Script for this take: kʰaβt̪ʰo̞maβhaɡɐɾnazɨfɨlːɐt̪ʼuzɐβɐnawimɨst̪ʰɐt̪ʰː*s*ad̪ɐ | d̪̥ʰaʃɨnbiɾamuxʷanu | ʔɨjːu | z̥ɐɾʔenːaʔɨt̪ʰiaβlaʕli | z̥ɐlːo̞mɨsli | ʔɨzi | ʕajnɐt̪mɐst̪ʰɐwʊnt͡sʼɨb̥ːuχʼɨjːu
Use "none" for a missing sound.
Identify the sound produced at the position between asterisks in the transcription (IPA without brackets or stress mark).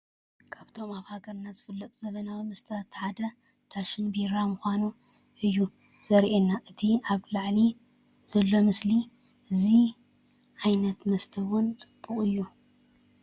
ħ